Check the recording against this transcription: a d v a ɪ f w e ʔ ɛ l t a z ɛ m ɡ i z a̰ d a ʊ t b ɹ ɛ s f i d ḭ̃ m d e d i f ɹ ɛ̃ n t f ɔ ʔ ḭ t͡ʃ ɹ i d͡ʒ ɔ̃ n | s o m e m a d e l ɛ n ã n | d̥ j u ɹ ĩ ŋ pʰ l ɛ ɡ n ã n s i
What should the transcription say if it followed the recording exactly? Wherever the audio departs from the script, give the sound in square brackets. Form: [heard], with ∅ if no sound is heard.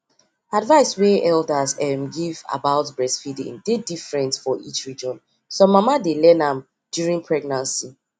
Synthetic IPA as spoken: a d v a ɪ [s] w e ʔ ɛ l [d] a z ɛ m ɡ i [v] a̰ [b] a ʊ t b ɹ ɛ s f i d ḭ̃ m d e d i f ɹ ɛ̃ n t f ɔ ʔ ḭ t͡ʃ ɹ i d͡ʒ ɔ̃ n | s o m [a] m a d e l ɛ n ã [m] | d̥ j u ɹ ĩ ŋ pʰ [ɹ] ɛ ɡ n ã n s i